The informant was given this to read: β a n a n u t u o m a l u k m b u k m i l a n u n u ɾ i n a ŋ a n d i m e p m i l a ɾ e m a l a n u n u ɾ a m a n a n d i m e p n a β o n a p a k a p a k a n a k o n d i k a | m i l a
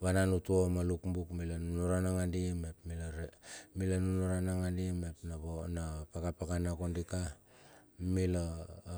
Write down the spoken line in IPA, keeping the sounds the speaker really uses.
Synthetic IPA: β a n a n u t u o m a l u k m b u k m i l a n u n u ɾ a n a ŋ a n d i m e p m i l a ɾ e m i l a n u n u ɾ a n a ŋ a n d i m e p n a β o n a p a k a p a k a n a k o n d i k a | m i l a